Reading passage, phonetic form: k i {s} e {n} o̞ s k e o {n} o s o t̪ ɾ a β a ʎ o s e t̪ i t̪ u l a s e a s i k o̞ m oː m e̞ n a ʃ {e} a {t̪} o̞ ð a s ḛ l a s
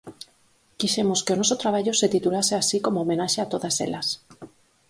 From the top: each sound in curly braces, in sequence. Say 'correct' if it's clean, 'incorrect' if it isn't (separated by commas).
incorrect, incorrect, correct, correct, correct